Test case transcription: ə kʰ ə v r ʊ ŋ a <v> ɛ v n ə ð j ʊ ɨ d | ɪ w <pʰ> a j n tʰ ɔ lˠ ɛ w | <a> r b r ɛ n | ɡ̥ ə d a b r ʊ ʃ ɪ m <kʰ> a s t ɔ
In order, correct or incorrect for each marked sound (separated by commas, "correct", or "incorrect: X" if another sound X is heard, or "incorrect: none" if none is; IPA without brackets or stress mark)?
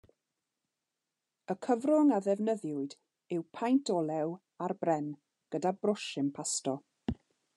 incorrect: ð, correct, correct, incorrect: pʰ